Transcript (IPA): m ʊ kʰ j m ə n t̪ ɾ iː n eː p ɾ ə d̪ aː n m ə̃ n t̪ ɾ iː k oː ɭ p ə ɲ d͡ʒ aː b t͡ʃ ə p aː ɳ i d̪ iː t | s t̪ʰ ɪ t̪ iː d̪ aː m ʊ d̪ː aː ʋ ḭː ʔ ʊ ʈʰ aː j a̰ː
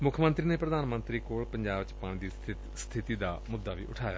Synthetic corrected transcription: m ʊ kʰ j m ə n t̪ ɾ iː n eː p ɾ ə d̪ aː n m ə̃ n t̪ ɾ iː k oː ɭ p ə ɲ d͡ʒ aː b t͡ʃ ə p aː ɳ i d̪ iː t | s t̪ʰ ɪ t̪ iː d̪ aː m ʊ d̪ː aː ʋ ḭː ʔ ʊ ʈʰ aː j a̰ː